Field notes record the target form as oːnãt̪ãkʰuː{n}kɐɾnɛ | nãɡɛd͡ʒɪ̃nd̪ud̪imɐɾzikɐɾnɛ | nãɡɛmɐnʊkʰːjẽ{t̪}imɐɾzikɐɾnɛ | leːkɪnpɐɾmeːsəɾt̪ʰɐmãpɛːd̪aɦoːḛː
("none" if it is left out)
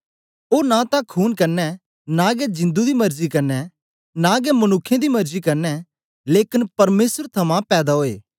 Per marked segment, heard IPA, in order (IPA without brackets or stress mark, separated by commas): n, d̪